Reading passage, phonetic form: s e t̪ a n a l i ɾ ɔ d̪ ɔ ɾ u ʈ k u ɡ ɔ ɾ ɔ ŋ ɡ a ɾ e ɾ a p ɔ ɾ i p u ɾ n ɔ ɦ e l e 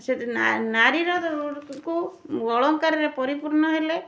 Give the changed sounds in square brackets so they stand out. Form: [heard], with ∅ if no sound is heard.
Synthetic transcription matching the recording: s e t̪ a n a [ɾ] i ɾ ɔ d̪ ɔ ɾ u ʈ k u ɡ ɔ [ɭ] ɔ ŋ [k] a ɾ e ɾ [e] p ɔ ɾ i p u ɾ n ɔ ɦ e l e